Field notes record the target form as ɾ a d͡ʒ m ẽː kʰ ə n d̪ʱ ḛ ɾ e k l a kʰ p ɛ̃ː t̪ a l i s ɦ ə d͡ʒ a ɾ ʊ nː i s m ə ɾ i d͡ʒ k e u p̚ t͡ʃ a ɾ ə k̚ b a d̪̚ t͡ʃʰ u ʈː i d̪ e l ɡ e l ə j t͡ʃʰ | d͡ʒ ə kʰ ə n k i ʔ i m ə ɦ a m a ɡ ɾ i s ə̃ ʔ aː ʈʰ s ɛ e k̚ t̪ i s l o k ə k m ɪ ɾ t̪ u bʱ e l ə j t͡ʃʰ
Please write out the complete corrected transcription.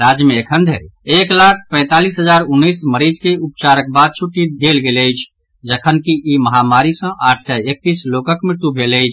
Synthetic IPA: ɾ a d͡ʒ m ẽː kʰ ə n d̪ʱ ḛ ɾ e k l a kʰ p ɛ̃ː t̪ a l i s ɦ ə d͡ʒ a ɾ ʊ nː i s m ə ɾ i d͡ʒ k e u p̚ t͡ʃ a ɾ ə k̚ b a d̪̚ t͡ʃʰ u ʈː i d̪ e l ɡ e l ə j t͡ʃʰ | d͡ʒ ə kʰ ə n k i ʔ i m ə ɦ a m a ɾ i s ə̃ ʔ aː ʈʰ s ɛ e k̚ t̪ i s l o k ə k m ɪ ɾ t̪ u bʱ e l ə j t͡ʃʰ

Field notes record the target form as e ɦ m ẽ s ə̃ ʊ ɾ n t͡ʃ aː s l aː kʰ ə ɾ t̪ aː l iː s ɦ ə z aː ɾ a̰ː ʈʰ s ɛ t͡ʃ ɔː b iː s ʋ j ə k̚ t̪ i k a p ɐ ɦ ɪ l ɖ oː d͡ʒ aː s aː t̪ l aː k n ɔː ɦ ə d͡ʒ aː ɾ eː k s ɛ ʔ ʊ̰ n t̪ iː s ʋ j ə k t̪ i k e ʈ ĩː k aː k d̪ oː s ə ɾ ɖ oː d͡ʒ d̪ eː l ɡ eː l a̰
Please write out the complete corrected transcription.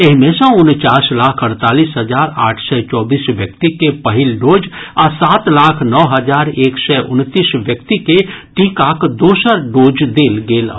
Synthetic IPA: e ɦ m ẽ s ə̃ ʊ n t͡ʃ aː s l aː kʰ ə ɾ t̪ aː l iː s ɦ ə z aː ɾ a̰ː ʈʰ s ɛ t͡ʃ ɔː b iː s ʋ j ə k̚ t̪ i k e p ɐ ɦ ɪ l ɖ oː d͡ʒ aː s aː t̪ l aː kʰ n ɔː ɦ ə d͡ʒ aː ɾ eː k s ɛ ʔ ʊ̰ n t̪ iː s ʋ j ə k t̪ i k e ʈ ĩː k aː k d̪ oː s ə ɾ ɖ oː d͡ʒ d̪ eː l ɡ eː l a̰

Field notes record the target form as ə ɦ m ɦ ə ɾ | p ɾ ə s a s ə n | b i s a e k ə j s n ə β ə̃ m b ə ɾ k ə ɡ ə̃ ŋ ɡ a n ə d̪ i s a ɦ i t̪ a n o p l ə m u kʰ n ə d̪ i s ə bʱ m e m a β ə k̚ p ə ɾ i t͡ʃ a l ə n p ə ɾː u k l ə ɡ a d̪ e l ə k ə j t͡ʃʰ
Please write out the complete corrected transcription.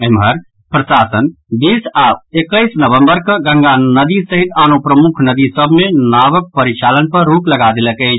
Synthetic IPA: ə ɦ m ɦ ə ɾ | p ɾ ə s a s ə n | b i s a e k ə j s n ə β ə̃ m b ə ɾ k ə ɡ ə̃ ŋ ɡ a n ə d̪ i s ə ɦ i t̪ a n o p ɾ ə m u kʰ n ə d̪ i s ə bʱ m e n a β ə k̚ p ə ɾ i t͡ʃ a l ə n p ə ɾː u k l ə ɡ a d̪ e l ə k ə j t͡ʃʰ

